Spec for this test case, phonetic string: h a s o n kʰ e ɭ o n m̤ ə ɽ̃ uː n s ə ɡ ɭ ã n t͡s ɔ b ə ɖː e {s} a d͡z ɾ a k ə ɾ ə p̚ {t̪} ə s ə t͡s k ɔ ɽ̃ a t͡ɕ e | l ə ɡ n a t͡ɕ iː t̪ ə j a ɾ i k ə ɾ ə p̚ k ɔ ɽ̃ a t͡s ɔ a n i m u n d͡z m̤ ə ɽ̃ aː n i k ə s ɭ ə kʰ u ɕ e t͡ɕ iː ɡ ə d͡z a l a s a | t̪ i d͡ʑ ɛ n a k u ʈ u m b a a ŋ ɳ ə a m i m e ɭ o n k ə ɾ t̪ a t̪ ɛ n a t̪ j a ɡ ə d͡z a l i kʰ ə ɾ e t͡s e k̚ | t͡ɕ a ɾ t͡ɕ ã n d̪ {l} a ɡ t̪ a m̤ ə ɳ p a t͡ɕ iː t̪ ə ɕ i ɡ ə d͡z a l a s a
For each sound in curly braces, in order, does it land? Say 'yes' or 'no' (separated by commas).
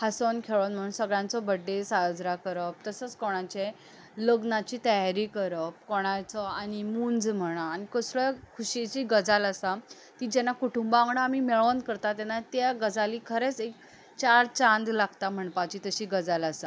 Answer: yes, yes, yes